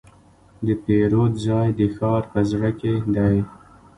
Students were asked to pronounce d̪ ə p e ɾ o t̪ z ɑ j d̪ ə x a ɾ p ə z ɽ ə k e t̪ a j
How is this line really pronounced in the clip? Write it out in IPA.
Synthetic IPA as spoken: d̪ ə p e ɾ o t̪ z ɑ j d̪ ə x ɑ ɾ p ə z ɽ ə k e d̪ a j